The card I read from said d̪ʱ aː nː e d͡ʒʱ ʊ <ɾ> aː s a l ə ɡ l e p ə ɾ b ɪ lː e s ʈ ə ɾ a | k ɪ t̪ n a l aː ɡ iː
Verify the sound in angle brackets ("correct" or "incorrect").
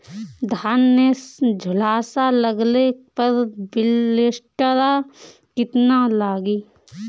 incorrect